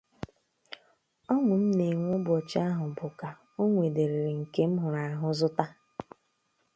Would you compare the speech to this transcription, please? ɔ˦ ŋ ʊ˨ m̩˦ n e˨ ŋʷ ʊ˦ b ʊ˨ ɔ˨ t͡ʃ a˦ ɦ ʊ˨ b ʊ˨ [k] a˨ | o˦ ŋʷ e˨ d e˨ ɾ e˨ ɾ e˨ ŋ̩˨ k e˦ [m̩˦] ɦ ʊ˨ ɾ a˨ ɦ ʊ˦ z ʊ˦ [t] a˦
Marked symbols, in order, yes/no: yes, yes, yes

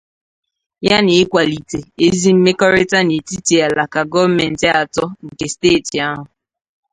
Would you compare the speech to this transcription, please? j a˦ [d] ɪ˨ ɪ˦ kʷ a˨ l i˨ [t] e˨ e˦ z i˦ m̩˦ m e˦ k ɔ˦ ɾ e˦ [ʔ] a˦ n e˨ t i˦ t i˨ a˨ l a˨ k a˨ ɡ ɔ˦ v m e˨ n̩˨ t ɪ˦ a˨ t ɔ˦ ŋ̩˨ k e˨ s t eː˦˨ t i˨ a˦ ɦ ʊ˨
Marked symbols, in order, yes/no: no, yes, no

